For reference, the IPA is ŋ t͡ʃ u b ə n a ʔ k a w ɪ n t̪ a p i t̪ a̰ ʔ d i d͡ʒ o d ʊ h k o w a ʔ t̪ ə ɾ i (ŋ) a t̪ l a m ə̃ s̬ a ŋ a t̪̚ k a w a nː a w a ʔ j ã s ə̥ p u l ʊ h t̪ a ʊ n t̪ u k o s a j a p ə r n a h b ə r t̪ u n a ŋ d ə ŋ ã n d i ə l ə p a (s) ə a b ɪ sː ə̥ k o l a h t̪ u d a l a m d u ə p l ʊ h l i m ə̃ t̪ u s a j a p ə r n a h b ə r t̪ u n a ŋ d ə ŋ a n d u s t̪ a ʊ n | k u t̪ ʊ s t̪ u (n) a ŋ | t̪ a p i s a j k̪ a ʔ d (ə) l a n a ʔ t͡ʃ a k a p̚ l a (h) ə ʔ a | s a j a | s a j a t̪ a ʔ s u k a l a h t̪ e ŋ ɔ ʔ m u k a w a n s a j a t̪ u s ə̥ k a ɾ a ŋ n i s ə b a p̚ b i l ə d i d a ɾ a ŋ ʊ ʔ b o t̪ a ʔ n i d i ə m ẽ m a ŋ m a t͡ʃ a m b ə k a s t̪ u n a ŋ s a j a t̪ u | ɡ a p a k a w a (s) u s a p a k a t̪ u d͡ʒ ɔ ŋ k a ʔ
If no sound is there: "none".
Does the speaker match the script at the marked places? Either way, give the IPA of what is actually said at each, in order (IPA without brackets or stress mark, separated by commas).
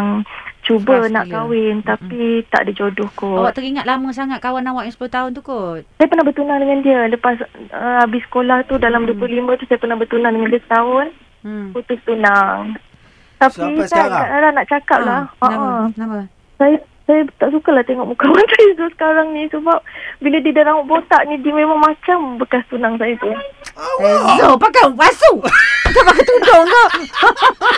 ŋ, s, n, a, h, s